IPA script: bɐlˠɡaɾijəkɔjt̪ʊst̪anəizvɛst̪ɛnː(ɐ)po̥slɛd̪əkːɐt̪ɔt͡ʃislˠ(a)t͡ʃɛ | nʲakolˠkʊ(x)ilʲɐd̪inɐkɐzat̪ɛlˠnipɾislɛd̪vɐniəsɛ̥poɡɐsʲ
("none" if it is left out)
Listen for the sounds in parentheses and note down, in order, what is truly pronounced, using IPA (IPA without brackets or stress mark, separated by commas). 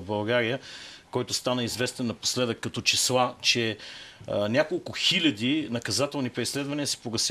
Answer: ɐ, a, x